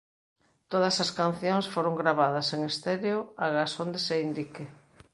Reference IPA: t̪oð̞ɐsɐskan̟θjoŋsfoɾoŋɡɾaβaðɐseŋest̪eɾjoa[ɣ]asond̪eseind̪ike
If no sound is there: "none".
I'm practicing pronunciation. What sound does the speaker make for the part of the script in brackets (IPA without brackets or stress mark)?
ɣ